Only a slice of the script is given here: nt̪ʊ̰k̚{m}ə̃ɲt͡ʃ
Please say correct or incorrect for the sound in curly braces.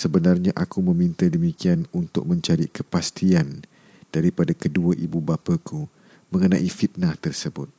correct